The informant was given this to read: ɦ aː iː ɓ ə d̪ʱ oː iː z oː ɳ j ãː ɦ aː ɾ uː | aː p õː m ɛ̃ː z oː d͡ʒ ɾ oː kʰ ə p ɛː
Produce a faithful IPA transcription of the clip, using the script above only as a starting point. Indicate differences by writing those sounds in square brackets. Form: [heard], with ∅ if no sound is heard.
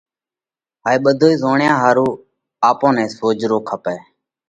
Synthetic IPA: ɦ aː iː ɓ ə d̪ʱ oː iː z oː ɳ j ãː ɦ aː ɾ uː | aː p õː [n] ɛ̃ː [s] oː d͡ʒ ɾ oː kʰ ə p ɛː